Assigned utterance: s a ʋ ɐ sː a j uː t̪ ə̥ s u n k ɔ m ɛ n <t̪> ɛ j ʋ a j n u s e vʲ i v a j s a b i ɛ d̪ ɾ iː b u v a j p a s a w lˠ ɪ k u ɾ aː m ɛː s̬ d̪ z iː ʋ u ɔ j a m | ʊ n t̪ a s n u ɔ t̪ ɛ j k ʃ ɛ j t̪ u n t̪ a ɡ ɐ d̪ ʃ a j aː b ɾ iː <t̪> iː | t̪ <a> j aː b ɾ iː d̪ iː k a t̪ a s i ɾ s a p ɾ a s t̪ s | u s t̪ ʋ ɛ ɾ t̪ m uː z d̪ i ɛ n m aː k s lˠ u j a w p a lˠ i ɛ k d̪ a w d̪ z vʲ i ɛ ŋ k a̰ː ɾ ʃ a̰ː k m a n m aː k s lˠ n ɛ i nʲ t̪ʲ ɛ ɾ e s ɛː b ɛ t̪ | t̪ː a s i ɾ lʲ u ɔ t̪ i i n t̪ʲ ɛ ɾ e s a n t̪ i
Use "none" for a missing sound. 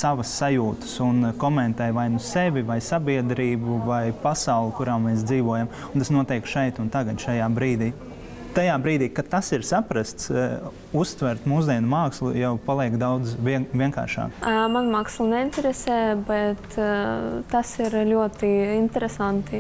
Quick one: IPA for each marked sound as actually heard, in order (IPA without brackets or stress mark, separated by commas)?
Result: t̪, d̪, a